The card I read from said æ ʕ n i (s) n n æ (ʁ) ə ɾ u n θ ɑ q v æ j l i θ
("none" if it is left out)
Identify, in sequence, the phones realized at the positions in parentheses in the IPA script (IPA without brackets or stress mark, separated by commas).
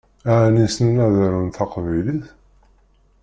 s, ð